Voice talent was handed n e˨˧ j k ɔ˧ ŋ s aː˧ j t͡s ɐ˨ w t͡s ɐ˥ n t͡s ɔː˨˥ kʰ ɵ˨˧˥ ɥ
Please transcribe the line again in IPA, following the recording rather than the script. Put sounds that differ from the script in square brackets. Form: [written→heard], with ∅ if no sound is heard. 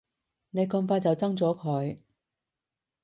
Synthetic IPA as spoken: n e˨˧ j k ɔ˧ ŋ [s→f] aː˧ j t͡s ɐ˨ w t͡s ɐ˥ [n→ŋ] t͡s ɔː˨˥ kʰ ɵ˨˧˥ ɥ